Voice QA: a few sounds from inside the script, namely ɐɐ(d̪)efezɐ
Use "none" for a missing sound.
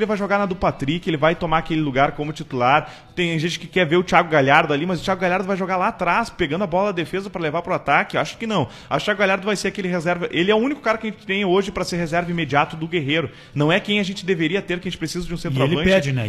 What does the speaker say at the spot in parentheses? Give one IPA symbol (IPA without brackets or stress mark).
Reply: d̪